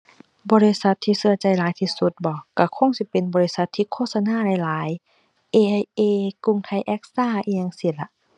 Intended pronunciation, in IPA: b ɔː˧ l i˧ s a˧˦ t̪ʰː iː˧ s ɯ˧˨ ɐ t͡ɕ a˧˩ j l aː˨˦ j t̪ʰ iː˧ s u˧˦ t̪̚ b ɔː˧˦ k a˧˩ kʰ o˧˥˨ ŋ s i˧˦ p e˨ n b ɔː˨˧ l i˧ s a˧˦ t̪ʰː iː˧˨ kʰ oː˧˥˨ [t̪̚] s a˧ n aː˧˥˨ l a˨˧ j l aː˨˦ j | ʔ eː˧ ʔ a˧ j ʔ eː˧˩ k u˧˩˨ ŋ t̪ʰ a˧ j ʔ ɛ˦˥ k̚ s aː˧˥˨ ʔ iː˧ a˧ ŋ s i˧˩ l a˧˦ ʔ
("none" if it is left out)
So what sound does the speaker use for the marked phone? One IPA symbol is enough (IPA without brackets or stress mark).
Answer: t̪̚